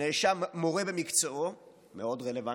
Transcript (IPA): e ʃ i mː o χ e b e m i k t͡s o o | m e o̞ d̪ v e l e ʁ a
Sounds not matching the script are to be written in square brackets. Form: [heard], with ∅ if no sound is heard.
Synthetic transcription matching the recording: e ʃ [a] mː o [ʁ] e b e m i k t͡s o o | m e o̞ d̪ [ʁ] e l e [v] a